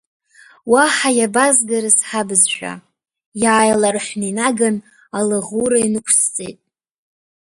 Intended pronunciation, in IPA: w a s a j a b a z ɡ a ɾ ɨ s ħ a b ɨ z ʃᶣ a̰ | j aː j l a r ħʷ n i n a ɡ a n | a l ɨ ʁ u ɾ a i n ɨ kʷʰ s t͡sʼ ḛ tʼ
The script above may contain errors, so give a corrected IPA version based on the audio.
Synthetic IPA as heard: w a ħ a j a b a z ɡ a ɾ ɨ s ħ a b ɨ z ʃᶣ a̰ | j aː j l a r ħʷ n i n a ɡ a n | a l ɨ ʁ u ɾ a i n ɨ kʷʰ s t͡sʼ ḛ tʼ